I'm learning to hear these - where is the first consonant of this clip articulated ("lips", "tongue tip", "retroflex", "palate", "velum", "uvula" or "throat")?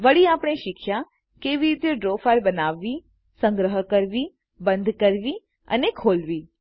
lips